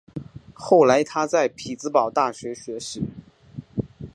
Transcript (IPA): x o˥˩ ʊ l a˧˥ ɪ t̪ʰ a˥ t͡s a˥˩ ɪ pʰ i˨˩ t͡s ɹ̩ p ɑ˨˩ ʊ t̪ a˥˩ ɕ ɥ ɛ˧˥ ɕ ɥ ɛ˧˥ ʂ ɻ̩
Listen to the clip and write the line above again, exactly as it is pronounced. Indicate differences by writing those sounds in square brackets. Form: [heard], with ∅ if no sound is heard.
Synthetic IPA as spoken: x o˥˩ ʊ l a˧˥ ɪ t̪ʰ a˥ t͡s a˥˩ ɪ pʰ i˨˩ t͡s ɹ̩ p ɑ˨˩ ʊ t̪ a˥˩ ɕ ɥ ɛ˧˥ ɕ ɥ ɛ˧˥ ʂ ɻ̩